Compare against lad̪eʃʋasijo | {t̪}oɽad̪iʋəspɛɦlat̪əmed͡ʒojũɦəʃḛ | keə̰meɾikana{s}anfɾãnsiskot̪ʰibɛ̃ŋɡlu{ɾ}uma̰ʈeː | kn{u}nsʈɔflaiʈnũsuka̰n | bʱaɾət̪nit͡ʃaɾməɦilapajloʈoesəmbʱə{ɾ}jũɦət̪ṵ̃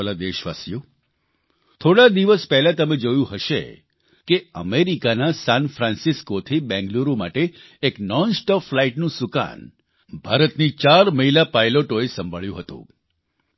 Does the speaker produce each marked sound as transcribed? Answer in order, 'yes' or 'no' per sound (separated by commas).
no, yes, yes, no, no